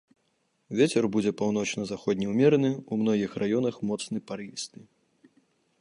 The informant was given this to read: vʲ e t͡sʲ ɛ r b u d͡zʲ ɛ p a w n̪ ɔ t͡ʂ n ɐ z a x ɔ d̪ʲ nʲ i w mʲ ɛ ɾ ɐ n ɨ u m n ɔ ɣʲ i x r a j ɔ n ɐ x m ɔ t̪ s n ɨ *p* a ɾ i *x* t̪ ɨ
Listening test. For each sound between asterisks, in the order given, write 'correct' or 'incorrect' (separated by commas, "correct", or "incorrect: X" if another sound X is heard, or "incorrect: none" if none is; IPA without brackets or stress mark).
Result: correct, incorrect: s